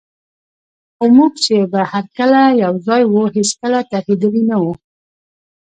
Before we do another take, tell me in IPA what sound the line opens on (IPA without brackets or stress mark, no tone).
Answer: x